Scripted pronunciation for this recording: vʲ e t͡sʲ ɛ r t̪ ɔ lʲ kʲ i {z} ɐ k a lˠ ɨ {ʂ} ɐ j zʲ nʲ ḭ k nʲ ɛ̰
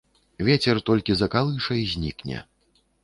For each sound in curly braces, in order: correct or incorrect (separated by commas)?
correct, correct